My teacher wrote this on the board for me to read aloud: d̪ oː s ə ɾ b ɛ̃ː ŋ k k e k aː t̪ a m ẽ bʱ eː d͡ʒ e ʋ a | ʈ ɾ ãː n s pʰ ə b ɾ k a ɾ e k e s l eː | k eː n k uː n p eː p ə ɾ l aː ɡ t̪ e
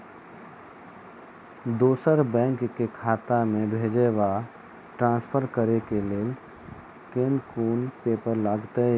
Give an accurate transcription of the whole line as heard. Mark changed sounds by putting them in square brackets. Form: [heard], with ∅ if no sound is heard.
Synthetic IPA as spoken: d̪ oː s ə ɾ b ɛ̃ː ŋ k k e [kʰ] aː t̪ a m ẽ bʱ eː d͡ʒ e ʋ a | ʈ ɾ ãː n s pʰ ə [∅] ɾ k [ə] ɾ e k e [∅] l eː | k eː n k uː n p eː p ə ɾ l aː ɡ t̪ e